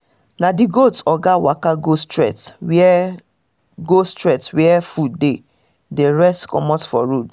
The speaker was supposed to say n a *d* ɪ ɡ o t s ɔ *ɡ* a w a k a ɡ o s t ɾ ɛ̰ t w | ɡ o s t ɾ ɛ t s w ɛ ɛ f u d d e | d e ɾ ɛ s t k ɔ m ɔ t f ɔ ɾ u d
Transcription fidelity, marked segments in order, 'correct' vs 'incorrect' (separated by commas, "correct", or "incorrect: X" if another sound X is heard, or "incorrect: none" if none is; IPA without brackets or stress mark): correct, correct